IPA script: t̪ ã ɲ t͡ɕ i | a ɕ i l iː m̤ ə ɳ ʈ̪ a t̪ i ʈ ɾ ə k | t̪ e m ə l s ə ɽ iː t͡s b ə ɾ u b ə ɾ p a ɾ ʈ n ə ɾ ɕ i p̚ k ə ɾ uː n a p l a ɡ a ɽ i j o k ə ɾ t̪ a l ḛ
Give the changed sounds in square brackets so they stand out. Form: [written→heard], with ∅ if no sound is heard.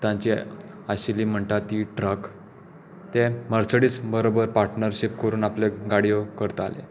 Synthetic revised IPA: t̪ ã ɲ t͡ɕ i | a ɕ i l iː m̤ ə ɳ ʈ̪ a t̪ i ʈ ɾ ə k | t̪ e m ə [l→ɾ] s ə ɽ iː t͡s b ə ɾ [u→o] b ə ɾ p a ɾ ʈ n ə ɾ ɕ i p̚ k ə ɾ uː n a p l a ɡ a ɽ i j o k ə ɾ t̪ a l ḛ